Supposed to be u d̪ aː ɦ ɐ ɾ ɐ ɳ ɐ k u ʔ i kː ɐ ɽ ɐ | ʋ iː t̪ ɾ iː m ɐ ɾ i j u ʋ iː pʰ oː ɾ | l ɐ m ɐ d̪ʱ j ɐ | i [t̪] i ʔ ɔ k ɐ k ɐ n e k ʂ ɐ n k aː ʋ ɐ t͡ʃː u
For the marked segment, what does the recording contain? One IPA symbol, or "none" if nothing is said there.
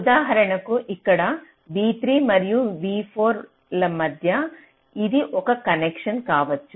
d̪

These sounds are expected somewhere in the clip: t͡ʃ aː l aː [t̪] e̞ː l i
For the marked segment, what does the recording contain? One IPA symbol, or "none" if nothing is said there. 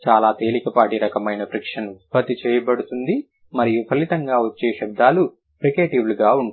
t̪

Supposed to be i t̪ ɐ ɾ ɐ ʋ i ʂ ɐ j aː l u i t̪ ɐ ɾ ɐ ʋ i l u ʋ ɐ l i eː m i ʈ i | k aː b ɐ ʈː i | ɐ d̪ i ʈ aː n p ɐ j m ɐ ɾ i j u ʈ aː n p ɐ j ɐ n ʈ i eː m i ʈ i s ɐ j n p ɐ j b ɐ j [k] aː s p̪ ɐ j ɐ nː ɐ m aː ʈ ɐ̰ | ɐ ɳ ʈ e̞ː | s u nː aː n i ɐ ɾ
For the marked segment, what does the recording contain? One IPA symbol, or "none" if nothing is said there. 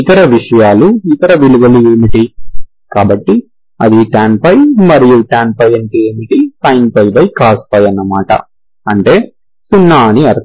k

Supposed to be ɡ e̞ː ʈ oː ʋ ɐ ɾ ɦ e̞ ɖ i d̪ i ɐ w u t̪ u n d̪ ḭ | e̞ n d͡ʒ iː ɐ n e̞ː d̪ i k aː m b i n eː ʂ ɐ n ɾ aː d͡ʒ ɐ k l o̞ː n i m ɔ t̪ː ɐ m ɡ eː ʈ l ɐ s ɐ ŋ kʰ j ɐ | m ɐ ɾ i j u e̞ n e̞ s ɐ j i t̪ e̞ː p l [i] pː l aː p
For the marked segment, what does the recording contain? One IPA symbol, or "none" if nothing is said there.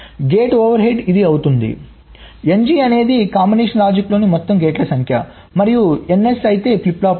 i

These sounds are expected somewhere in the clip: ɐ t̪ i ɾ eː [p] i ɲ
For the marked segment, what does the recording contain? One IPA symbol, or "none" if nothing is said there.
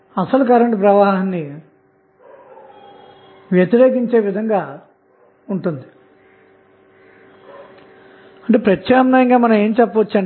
k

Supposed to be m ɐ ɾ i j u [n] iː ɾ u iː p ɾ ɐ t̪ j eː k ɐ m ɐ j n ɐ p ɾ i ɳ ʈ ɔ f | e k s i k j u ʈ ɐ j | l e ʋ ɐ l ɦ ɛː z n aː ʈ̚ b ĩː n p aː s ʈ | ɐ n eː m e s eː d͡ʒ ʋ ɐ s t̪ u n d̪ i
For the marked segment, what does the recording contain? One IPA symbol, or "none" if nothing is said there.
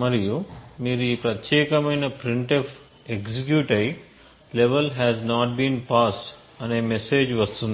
m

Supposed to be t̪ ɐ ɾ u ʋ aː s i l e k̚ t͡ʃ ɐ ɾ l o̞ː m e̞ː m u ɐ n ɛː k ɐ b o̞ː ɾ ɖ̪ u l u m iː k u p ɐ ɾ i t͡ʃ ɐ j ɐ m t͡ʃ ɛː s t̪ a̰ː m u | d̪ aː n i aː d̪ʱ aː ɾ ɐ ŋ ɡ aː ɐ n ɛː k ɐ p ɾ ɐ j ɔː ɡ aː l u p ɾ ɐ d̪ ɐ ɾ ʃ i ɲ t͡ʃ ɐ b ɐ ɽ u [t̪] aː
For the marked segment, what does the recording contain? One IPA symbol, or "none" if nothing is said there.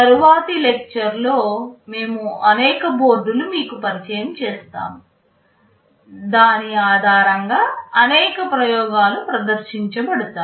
t̪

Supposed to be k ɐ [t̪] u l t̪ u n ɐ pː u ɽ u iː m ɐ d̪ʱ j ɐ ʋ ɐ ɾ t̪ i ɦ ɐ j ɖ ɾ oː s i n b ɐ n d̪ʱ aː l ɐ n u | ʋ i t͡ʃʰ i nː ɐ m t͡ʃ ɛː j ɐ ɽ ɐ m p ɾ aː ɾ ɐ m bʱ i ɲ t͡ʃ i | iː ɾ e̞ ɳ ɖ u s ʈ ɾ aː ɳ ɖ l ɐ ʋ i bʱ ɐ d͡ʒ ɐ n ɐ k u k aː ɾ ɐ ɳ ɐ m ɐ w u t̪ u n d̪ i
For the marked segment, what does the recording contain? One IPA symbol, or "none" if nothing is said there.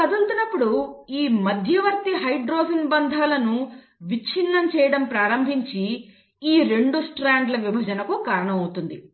d̪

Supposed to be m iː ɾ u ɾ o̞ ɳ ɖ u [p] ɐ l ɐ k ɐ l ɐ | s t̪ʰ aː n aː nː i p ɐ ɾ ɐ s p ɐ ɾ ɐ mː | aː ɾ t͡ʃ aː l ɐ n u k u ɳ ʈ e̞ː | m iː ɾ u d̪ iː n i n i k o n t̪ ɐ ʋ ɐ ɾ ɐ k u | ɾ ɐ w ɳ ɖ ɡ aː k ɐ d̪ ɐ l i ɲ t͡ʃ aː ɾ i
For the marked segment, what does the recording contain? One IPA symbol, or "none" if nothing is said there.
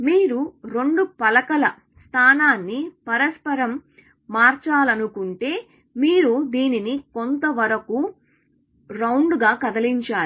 p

